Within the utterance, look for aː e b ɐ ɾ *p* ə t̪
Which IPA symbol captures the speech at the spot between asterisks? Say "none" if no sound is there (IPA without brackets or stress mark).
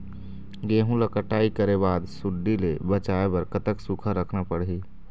k